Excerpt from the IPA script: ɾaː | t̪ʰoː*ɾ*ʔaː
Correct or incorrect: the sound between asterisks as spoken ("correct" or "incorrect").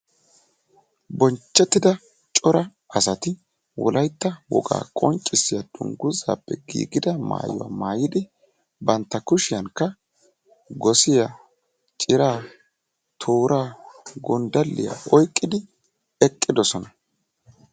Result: correct